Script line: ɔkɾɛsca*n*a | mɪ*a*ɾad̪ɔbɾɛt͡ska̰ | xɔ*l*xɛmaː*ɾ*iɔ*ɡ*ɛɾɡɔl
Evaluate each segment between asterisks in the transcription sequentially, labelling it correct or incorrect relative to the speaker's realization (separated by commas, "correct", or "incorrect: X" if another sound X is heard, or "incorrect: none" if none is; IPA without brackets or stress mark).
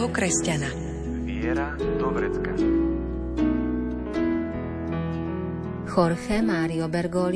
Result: correct, incorrect: ɛ, incorrect: ɾ, correct, incorrect: b